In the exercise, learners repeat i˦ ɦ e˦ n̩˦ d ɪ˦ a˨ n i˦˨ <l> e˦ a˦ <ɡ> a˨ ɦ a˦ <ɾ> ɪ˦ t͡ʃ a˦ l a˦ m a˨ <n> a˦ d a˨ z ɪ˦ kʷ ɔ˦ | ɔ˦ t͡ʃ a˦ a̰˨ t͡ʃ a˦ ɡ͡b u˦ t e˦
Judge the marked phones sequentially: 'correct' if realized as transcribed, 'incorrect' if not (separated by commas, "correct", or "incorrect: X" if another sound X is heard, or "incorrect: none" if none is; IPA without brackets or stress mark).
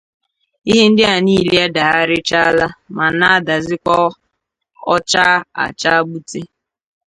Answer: correct, incorrect: d, correct, correct